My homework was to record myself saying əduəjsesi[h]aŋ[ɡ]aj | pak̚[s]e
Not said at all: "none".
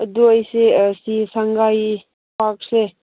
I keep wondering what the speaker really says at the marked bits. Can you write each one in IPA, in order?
s, ɡ, s

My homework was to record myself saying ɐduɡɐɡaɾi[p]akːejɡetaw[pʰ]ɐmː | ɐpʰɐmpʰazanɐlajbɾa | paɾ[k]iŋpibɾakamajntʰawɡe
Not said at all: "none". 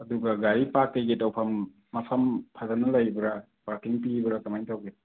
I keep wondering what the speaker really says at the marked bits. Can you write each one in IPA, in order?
p, pʰ, k

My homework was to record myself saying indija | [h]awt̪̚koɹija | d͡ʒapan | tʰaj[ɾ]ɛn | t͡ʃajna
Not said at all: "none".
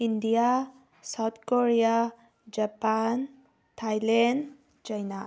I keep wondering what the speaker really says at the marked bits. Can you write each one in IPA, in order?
s, l

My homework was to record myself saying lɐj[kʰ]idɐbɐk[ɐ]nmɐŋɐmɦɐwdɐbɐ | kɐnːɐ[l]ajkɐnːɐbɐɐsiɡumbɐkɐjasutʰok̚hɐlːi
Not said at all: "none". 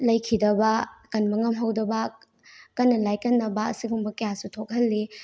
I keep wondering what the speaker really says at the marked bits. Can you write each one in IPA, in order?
kʰ, ɐ, l

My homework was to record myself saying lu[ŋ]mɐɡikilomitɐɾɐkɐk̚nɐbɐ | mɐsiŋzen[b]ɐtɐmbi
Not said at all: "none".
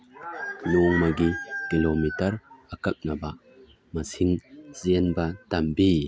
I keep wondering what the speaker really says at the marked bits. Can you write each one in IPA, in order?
ŋ, b

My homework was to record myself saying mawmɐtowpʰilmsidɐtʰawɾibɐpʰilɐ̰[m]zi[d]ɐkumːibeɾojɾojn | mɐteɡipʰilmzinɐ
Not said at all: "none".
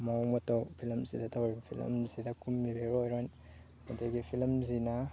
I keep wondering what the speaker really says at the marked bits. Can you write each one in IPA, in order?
m, d

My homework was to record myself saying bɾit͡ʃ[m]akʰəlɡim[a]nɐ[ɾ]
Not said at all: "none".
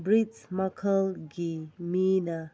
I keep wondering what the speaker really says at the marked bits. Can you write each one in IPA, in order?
m, i, none

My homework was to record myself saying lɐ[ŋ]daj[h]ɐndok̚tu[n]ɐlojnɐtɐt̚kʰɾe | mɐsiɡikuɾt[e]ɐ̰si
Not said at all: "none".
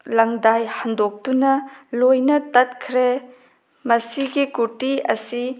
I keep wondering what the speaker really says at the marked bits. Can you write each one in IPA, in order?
ŋ, h, n, i

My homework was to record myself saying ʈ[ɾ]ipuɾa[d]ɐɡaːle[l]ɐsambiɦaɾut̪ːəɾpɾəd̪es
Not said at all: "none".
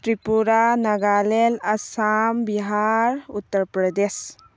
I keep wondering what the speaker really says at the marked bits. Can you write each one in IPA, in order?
ɾ, n, l

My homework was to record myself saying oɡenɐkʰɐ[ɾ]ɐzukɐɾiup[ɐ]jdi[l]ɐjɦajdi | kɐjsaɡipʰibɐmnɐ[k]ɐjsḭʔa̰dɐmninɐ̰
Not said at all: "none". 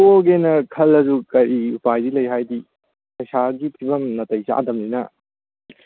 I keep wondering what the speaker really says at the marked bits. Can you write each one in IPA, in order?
l, a, l, t

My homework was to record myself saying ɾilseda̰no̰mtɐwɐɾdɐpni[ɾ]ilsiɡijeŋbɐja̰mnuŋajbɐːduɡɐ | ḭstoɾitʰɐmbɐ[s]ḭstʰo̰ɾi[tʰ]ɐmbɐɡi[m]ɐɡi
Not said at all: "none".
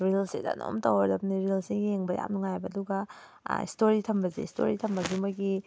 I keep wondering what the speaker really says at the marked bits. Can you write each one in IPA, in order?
ɾ, z, tʰ, m

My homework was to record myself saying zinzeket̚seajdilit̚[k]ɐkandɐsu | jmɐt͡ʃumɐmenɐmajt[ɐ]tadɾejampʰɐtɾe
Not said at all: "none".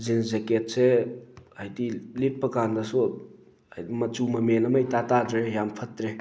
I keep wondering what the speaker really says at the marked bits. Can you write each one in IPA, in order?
p, a

